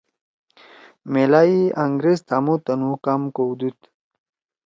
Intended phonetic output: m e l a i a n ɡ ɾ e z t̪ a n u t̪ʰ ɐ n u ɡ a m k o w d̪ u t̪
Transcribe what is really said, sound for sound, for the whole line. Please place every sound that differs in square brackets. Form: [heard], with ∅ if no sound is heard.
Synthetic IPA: m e l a i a [ŋ] ɡ ɾ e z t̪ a [m] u [t̪] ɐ n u [k] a m k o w d̪ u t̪

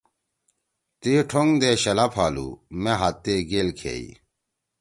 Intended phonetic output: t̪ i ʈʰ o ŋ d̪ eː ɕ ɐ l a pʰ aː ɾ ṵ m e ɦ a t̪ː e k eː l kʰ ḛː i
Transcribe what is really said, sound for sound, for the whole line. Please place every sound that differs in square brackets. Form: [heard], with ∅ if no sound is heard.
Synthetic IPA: t̪ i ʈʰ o ŋ d̪ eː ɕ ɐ l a pʰ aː [l] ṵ m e ɦ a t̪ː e [ɡ] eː l kʰ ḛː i

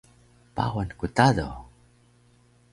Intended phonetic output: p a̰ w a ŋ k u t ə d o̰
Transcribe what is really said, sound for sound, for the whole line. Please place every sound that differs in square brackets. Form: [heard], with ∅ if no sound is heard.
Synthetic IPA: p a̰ w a [n] k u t [a] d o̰

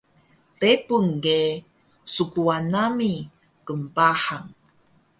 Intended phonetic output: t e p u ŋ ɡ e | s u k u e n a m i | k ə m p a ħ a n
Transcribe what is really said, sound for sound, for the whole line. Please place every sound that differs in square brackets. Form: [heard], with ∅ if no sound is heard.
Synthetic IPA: t e p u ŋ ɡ e | s u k u [a] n a m i | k ə m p a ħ a [ŋ]

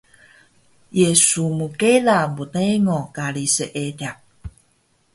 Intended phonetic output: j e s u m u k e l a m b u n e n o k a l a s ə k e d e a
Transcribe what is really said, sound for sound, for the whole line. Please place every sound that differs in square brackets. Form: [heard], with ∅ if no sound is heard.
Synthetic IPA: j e s u m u k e l a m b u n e [ŋ] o k a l [i] s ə [ʔ] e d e a

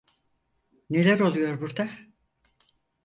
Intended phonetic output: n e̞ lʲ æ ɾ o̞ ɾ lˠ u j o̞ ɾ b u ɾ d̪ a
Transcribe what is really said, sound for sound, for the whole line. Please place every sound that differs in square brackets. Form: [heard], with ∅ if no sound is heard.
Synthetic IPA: n e̞ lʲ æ ɾ o̞ [∅] lˠ u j o̞ ɾ b u ɾ d̪ a

